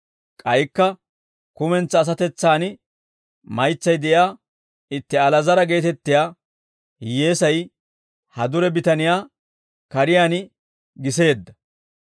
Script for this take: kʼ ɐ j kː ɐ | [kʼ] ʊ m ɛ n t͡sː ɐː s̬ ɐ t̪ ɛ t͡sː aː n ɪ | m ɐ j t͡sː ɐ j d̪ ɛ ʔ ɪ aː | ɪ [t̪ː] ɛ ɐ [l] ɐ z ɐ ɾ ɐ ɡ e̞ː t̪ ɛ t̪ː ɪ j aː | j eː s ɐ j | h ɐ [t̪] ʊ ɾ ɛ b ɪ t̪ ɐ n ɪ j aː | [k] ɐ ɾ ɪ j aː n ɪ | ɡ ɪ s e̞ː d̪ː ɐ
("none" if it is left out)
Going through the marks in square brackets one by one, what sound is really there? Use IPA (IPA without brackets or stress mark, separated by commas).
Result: k, t̪ː, l, d̪, k